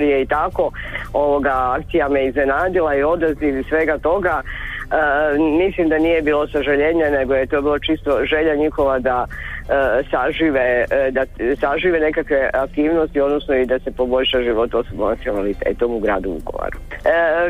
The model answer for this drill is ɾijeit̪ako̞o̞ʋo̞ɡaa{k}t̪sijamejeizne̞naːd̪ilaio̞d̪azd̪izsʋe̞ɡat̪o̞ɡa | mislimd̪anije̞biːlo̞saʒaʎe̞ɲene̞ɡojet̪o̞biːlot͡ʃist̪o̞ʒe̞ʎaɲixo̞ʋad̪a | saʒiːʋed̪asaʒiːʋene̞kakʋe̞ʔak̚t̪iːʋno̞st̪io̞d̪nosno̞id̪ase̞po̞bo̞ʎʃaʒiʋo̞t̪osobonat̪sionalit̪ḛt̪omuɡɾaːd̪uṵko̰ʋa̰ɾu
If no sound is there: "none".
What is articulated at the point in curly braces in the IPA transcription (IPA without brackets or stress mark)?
k